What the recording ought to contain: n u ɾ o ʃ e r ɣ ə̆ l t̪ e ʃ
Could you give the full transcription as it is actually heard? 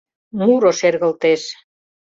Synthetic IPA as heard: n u ɾ o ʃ e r ɣ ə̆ l t̪ e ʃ